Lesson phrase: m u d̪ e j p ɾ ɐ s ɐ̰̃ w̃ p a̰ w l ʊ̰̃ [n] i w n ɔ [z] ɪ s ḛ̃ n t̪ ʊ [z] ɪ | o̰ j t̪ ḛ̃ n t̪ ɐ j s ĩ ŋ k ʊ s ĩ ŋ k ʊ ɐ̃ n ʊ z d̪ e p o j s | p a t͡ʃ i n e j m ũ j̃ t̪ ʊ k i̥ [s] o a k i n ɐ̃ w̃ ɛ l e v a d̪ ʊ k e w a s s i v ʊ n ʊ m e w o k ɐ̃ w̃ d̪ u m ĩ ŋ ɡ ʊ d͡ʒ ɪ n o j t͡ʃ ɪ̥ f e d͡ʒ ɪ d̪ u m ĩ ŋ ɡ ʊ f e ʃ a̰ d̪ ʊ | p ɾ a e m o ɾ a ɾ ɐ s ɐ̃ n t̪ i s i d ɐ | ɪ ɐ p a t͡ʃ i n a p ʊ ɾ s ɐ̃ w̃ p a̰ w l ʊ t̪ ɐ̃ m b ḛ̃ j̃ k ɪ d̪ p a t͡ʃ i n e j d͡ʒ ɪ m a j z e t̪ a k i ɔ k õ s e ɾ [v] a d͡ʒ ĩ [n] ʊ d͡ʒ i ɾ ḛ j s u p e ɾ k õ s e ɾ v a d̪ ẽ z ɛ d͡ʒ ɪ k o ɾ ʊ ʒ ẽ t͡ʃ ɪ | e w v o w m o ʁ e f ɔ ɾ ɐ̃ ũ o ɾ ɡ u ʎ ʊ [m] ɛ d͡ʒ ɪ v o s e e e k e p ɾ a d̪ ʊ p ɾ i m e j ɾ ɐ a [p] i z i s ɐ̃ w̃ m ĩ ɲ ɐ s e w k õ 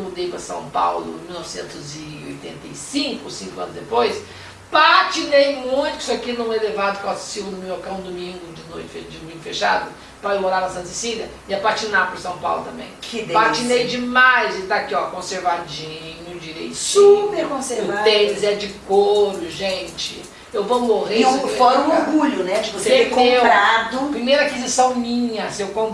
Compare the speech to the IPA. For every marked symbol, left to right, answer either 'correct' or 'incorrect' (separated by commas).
incorrect, incorrect, correct, correct, correct, incorrect, incorrect, incorrect